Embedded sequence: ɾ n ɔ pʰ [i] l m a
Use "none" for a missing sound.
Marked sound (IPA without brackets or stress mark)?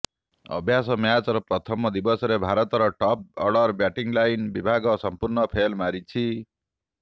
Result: e